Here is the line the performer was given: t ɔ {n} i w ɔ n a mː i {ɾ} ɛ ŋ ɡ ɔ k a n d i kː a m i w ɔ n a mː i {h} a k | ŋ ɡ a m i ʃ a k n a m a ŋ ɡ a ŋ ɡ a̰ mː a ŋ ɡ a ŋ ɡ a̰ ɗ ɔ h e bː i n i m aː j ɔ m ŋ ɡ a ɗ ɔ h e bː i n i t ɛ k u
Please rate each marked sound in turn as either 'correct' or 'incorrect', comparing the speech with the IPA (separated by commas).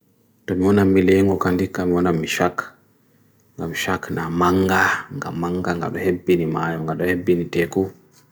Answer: incorrect, incorrect, incorrect